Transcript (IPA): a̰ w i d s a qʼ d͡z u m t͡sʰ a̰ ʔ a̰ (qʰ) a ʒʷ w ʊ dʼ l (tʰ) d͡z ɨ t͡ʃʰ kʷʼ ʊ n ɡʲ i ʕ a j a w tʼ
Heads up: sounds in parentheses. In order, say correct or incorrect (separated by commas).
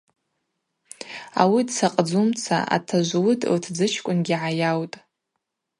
incorrect, correct